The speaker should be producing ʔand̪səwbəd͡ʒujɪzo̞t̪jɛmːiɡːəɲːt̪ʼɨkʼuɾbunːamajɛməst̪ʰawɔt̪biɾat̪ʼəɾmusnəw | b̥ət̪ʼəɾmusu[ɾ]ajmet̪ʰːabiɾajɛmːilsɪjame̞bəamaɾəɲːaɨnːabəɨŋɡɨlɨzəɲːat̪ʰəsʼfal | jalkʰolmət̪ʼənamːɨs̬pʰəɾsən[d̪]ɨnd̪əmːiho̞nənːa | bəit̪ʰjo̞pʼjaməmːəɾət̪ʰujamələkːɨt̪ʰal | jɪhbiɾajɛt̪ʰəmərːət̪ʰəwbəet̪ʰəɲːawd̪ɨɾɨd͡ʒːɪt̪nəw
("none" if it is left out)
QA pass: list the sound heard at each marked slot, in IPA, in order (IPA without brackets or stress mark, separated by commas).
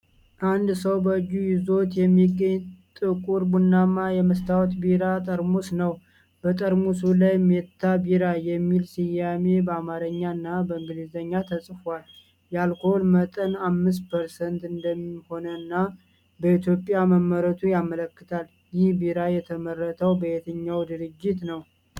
l, t̪